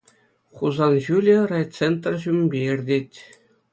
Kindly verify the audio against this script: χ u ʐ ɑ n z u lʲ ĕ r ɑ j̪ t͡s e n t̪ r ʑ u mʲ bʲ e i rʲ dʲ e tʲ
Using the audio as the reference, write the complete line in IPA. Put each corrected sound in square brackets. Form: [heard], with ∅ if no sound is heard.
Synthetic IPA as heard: χ u [z] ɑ n [ʑ] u lʲ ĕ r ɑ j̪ t͡s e n t̪ r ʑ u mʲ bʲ e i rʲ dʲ e tʲ